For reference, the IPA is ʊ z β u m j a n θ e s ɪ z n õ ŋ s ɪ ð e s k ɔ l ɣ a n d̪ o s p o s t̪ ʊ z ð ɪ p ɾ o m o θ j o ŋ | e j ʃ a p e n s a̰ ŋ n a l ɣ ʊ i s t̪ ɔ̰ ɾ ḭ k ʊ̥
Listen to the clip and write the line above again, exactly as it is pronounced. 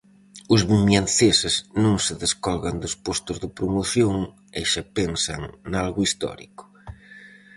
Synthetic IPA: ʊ z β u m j a n θ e s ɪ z n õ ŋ s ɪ ð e s k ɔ l ɣ a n d̪ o s p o s t̪ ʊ z ð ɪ p ɾ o m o θ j o ŋ | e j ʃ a p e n s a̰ ŋ n a l ɣ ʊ i s t̪ ɔ̰ ɾ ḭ k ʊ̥